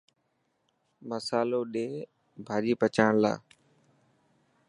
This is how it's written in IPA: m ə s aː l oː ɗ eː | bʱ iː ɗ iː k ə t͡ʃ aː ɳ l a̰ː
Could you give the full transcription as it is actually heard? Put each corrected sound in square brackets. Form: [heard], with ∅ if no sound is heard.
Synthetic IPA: m ə s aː l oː ɗ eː | bʱ [aː] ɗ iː [p] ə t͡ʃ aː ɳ l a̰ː